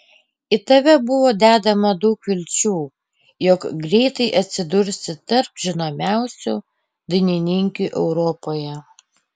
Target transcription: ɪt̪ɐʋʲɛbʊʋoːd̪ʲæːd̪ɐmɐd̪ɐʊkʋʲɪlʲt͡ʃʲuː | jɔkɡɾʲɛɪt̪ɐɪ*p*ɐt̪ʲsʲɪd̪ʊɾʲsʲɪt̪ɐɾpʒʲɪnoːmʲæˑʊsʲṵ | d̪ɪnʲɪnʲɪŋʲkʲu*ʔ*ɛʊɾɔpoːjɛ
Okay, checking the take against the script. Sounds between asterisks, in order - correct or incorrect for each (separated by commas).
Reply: incorrect, correct